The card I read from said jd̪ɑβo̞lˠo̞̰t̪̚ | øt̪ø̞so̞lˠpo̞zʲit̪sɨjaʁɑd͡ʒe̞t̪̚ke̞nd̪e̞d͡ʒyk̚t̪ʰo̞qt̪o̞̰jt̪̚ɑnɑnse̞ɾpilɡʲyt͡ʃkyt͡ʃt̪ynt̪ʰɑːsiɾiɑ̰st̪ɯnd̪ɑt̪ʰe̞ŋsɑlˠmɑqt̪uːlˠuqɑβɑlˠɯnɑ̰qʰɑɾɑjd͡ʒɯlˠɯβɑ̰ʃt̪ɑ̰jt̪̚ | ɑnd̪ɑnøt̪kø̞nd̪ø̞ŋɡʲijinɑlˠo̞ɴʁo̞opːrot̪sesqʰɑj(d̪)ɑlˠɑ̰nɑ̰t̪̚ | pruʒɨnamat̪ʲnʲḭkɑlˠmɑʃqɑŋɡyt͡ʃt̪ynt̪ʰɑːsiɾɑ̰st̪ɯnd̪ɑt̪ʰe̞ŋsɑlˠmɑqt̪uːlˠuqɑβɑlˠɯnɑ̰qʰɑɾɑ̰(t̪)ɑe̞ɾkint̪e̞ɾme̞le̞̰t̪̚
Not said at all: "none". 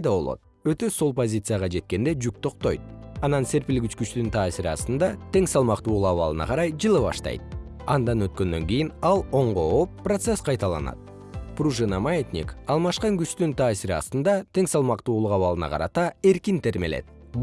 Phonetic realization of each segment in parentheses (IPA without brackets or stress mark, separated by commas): t̪, t̪